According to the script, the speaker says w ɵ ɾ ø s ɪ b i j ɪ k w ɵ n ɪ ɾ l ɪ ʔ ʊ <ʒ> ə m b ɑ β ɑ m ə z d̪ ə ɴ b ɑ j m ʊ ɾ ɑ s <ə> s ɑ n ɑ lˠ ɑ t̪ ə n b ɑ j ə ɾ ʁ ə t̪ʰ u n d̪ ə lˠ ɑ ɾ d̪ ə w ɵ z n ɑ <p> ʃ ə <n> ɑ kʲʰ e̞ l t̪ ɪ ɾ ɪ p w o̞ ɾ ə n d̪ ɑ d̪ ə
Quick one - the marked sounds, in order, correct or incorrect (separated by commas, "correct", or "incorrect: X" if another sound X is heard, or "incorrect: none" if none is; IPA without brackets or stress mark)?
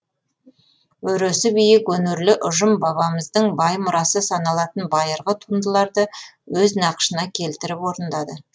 correct, correct, incorrect: q, correct